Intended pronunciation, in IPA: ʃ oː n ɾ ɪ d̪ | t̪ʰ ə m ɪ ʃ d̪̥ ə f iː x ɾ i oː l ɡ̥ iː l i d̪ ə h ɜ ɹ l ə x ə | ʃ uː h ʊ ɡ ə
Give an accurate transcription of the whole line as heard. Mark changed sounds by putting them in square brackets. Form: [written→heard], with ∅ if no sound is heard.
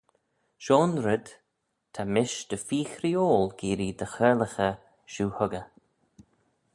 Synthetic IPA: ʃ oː n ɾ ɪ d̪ | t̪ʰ [ə→a] m ɪ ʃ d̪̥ ə f iː x ɾ i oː l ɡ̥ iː [l→ɾ] i d̪ ə [h→x] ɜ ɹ l ə x ə | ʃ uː h ʊ ɡ ə